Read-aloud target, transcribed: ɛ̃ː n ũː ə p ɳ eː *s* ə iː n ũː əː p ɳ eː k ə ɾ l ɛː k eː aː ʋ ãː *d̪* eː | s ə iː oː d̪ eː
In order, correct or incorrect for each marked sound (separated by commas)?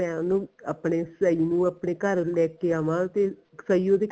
correct, incorrect